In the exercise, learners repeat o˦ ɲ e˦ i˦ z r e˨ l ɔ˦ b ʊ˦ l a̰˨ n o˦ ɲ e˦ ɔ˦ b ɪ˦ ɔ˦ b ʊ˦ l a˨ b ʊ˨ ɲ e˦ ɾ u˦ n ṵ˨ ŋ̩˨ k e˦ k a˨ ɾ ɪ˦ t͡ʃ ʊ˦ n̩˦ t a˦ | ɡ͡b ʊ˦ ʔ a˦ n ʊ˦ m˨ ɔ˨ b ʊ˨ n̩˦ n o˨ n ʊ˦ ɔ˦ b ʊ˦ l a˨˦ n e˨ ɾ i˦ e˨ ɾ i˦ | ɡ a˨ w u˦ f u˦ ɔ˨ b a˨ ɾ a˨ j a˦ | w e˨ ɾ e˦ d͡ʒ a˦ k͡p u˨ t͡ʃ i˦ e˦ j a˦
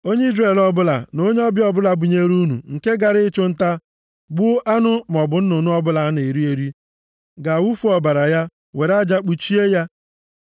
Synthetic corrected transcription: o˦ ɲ e˦ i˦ z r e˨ l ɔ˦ b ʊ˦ l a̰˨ n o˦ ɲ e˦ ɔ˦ b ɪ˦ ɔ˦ b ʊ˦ l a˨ b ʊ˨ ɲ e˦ ɾ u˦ n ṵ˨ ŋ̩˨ k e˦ ɡ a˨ ɾ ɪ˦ t͡ʃ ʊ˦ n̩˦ t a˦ | ɡ͡b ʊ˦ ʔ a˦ n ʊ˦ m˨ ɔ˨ b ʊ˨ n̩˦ n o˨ n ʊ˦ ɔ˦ b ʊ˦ l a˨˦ n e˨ ɾ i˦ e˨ ɾ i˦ | ɡ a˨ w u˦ f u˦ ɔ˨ b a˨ ɾ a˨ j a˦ | w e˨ ɾ a˦ d͡ʒ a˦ k͡p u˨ t͡ʃ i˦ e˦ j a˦